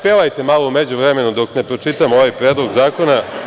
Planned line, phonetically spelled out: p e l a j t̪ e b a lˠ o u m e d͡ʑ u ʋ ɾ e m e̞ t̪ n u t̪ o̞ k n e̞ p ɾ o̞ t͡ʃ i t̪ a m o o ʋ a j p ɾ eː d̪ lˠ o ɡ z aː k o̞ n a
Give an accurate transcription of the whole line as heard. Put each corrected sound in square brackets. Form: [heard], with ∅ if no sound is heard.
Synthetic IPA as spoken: p e l a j t̪ e [m] a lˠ o u m e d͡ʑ u ʋ ɾ e m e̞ [∅] n u [d̪] o̞ k n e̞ p ɾ o̞ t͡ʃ i t̪ a m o o ʋ a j p ɾ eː d̪ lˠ o ɡ z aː k o̞ n a